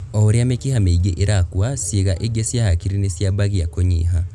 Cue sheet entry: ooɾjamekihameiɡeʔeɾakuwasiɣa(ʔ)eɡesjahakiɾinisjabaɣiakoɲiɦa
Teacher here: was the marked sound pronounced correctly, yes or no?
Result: yes